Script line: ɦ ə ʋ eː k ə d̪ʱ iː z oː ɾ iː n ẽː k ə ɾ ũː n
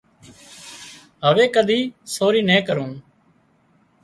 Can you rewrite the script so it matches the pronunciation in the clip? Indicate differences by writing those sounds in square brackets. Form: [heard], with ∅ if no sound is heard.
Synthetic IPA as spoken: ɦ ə ʋ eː k ə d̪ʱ iː [s] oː ɾ iː n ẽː k ə ɾ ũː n